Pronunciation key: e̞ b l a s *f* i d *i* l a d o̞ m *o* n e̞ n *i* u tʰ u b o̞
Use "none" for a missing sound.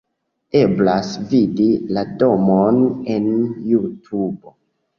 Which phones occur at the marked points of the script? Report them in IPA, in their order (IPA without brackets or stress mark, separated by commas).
v, i, o, j